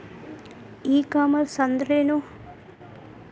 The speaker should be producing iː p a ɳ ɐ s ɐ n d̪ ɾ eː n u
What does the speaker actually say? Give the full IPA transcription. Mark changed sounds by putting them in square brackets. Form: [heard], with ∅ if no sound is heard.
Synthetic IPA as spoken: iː [k] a [m] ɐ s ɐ n d̪ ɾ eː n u